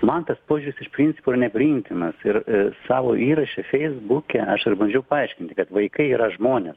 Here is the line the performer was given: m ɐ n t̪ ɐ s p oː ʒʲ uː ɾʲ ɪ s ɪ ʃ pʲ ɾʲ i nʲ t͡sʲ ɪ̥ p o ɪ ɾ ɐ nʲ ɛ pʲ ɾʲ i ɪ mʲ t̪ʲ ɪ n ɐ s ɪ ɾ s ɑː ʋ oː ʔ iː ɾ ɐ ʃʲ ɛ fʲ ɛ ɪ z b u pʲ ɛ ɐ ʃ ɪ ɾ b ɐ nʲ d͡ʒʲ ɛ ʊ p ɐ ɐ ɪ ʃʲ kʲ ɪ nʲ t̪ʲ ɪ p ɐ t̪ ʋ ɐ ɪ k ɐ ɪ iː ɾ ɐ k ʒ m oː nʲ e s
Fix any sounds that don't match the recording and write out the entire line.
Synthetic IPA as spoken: m ɐ n t̪ ɐ s p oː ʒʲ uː ɾʲ ɪ s ɪ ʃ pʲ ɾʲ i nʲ t͡sʲ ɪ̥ p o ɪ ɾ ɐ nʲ ɛ pʲ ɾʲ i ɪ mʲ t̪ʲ ɪ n ɐ s ɪ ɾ s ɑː ʋ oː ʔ iː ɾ ɐ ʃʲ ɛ fʲ ɛ ɪ z b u kʲ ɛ ɐ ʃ ɪ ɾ b ɐ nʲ d͡ʒʲ ɛ ʊ p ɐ ɐ ɪ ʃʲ kʲ ɪ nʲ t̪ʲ ɪ k ɐ t̪ ʋ ɐ ɪ k ɐ ɪ iː ɾ ɐ ʒ m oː nʲ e s